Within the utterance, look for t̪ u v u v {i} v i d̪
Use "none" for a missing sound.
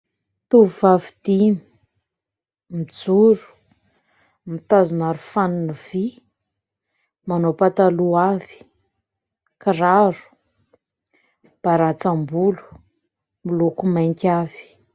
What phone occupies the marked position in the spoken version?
a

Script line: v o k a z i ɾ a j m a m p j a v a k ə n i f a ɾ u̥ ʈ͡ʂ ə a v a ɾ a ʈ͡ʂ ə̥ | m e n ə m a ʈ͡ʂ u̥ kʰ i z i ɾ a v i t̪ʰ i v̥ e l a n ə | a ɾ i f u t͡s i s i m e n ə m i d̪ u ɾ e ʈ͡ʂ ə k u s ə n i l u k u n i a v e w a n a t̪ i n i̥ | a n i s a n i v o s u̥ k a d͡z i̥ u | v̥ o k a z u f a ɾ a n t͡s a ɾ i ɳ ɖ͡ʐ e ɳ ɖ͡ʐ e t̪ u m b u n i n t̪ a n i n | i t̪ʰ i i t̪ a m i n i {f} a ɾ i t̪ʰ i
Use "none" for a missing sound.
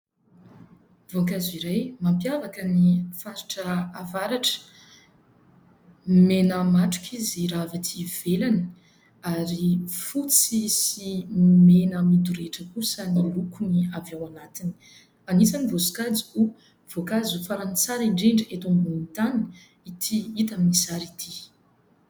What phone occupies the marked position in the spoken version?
s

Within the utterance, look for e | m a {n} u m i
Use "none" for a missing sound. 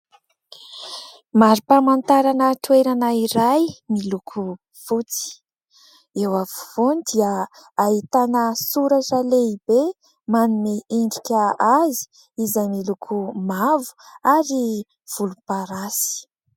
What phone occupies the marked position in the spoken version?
n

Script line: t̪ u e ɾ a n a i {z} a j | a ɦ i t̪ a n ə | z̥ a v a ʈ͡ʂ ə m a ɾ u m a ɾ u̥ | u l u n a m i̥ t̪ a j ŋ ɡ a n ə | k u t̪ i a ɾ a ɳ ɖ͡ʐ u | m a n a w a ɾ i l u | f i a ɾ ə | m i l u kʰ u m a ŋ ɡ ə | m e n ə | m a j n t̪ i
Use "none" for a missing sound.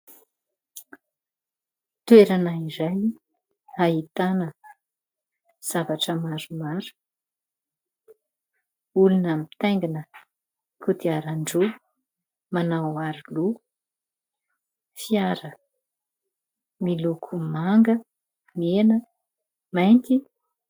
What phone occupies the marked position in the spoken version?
z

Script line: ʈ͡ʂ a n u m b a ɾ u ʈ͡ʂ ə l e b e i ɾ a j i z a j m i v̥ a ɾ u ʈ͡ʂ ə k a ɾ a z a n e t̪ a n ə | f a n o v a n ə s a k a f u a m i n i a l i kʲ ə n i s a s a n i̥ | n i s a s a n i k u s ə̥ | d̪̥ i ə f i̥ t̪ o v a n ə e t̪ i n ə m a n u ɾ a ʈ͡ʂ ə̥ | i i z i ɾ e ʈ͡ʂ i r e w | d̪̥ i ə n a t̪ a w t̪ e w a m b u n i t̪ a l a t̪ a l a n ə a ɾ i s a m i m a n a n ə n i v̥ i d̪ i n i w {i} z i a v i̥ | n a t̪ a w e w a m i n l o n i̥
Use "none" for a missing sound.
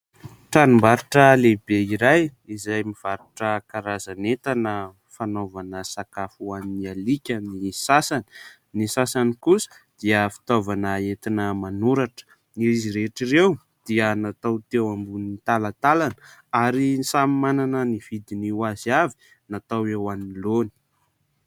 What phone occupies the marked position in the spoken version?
a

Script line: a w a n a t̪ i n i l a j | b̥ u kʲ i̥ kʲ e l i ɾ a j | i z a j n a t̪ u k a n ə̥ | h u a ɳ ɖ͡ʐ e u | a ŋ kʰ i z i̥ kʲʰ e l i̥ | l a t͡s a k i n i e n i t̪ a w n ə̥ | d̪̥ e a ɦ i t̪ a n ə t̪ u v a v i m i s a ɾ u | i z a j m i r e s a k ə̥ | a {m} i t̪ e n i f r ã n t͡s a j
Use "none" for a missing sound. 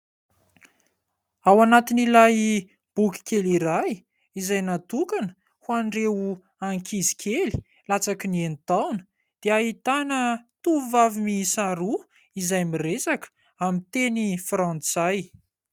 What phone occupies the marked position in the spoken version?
m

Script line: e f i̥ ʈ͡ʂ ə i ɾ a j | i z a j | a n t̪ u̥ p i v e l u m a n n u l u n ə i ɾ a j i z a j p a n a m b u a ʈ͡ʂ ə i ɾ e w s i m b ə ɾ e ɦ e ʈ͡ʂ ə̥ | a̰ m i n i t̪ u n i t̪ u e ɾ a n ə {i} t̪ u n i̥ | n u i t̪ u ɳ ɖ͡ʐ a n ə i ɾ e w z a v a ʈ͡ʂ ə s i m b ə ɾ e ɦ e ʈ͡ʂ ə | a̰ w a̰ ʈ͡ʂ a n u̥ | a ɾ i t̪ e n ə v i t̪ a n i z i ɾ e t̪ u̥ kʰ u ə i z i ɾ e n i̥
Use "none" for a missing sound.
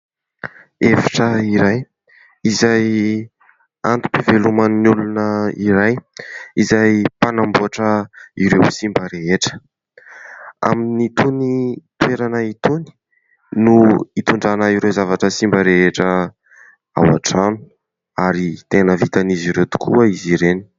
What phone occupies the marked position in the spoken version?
i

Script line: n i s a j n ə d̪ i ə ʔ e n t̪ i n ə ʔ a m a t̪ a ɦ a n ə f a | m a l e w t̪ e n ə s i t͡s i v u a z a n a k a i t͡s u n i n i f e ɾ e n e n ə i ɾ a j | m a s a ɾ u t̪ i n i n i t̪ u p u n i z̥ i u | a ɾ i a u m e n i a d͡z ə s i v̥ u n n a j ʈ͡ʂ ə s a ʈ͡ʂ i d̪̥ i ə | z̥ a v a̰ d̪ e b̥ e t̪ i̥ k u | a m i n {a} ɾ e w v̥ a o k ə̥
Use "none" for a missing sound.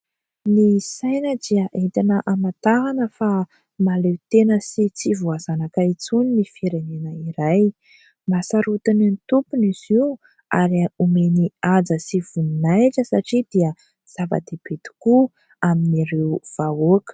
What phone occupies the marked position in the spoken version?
i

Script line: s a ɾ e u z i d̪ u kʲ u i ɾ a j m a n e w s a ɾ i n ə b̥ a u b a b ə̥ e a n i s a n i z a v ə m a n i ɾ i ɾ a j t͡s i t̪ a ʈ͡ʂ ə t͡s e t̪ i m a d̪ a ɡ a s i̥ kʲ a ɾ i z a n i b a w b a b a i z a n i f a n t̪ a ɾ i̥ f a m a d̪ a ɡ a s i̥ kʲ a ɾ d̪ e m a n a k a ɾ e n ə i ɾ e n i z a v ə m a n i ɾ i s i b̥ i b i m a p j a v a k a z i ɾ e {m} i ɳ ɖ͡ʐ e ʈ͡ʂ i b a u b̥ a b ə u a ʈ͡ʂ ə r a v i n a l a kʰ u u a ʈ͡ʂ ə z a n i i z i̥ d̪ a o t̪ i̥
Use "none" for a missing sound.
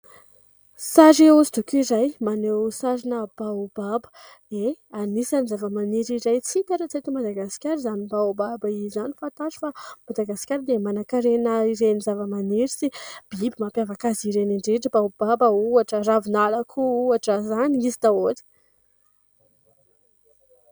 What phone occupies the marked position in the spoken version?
n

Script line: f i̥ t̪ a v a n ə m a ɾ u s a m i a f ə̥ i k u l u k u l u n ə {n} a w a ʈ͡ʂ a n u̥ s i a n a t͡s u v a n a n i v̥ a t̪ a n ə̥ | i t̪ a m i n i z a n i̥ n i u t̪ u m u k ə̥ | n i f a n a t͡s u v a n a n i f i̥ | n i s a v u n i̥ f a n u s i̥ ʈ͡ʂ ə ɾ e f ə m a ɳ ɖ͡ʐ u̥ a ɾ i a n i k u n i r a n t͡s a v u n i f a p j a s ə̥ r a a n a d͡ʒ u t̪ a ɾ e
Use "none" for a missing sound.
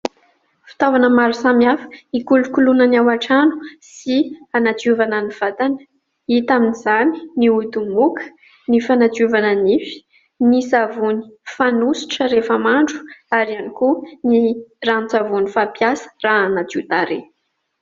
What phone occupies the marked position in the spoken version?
n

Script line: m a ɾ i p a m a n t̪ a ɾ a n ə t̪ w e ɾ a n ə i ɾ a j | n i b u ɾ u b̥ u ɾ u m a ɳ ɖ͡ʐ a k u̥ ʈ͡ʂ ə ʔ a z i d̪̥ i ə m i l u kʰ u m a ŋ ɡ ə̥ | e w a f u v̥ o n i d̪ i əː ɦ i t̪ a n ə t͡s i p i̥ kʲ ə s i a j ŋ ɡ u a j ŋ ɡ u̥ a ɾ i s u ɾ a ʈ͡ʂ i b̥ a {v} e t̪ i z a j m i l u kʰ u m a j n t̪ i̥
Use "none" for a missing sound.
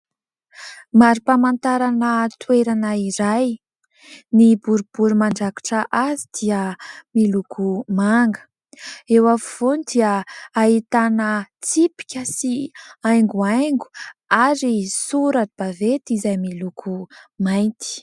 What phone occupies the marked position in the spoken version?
v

